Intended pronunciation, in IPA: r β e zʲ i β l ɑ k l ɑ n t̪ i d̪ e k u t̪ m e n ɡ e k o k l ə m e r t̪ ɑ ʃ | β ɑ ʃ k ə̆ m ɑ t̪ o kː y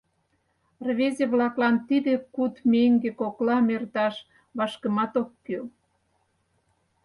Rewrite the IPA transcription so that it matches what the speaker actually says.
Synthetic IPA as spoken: r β e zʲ e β l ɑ k l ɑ n t̪ i d̪ e k u t̪ m e ŋ ɡ e k o k l ɑ m e r t̪ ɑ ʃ | β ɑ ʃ k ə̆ m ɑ t̪ o kː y